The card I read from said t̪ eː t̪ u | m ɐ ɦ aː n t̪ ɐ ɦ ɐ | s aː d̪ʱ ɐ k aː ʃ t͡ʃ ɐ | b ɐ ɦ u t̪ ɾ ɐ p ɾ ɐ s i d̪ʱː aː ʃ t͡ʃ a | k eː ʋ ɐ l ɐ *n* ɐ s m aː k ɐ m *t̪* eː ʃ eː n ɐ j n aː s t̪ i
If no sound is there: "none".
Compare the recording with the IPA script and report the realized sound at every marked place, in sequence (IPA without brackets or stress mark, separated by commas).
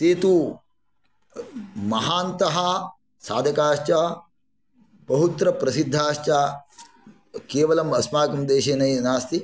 m, d̪